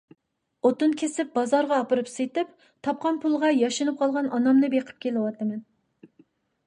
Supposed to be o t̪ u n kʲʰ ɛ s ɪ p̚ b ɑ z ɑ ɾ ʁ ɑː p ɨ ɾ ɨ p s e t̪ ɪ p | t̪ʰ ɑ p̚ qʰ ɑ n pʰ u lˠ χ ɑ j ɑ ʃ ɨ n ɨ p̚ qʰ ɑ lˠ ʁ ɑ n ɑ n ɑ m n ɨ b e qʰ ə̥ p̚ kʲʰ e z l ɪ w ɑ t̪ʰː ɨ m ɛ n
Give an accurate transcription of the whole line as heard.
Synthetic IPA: o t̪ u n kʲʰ e s ɪ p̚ b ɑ z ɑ ɾ ʁ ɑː p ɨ ɾ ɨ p s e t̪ ɪ p | t̪ʰ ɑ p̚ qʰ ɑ n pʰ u lˠ ʁ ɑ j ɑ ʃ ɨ n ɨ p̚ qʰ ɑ lˠ ʁ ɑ n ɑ n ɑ m n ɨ b e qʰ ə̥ p̚ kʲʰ e l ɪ w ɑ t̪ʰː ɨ m ɛ n